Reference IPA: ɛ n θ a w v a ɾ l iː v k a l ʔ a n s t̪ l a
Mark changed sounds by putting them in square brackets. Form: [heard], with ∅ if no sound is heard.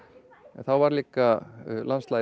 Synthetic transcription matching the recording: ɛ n θ a w v a ɾ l iː [∅] k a l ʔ a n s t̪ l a